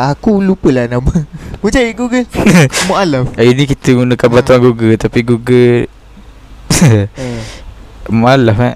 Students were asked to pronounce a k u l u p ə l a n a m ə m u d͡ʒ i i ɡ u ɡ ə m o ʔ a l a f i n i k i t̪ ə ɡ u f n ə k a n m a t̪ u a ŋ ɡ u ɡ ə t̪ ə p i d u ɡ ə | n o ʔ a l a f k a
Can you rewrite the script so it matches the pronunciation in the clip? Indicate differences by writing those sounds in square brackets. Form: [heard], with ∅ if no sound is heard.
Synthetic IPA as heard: a k u l u p ə l a n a m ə m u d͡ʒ [a] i ɡ u ɡ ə m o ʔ a l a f i n i k i t̪ ə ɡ u [∅] n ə k a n [b] a t̪ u a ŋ ɡ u ɡ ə t̪ [a] p i [ɡ] u ɡ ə | [m] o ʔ a l a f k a